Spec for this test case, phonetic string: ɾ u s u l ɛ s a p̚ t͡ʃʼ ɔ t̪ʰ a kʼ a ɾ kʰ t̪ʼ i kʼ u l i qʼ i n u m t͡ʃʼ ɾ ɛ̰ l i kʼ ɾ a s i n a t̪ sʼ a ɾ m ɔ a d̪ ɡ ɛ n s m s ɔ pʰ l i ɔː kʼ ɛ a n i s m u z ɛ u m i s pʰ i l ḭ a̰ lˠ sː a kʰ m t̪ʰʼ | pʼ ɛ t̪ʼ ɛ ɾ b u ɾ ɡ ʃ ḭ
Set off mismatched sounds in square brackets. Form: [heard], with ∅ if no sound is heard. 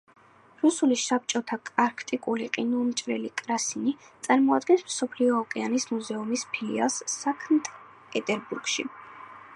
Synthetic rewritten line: ɾ u s u l [i] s a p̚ t͡ʃʼ ɔ t̪ʰ a kʼ a ɾ kʰ t̪ʼ i kʼ u l i qʼ i n u m t͡ʃʼ ɾ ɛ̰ l i kʼ ɾ a s i n [i] t̪ sʼ a ɾ m ɔ a d̪ ɡ ɛ n s m s ɔ pʰ l i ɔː kʼ ɛ a n i s m u z ɛ u m i s pʰ i l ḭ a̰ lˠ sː a kʰ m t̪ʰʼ | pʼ ɛ t̪ʼ ɛ ɾ b u ɾ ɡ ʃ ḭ

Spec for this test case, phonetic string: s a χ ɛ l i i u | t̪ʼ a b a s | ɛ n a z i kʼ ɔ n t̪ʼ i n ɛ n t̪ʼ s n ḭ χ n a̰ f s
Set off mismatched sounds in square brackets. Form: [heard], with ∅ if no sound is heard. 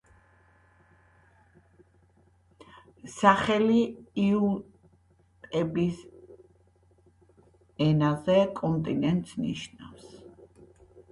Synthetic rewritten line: s a χ ɛ l i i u | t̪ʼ [ɛ] b [i] s | ɛ n a z [ɛ] kʼ ɔ n t̪ʼ i n ɛ n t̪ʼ s n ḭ [ʃ] n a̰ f s

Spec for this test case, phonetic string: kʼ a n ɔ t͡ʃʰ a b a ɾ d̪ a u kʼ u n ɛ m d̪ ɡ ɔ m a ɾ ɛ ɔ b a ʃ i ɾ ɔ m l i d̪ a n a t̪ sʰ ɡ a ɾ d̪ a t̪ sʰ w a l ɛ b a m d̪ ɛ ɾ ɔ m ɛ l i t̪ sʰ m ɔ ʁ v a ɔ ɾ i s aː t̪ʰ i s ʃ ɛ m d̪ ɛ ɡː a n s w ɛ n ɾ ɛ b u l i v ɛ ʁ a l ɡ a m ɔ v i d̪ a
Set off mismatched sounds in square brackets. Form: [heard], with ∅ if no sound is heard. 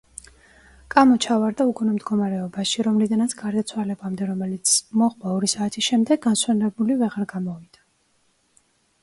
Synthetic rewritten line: kʼ a [m] ɔ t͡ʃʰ a [v] a ɾ d̪ a u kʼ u n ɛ m d̪ ɡ ɔ m a ɾ ɛ ɔ b a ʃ i ɾ ɔ m l i d̪ a n a t̪ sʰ ɡ a ɾ d̪ a t̪ sʰ w a l ɛ b a m d̪ ɛ ɾ ɔ m ɛ l i t̪ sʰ m ɔ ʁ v a ɔ ɾ i s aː t̪ʰ i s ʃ ɛ m d̪ ɛ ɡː a n s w ɛ n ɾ ɛ b u l i v ɛ ʁ a [ɾ] ɡ a m ɔ v i d̪ a

